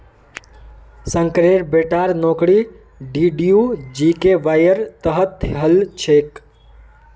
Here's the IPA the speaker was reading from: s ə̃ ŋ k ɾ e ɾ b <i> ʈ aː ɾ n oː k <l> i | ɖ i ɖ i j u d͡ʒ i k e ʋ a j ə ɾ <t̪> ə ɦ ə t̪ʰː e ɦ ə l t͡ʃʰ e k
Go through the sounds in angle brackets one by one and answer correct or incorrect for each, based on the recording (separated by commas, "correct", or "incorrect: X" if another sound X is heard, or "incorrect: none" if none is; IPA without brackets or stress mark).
incorrect: e, incorrect: ɽ, correct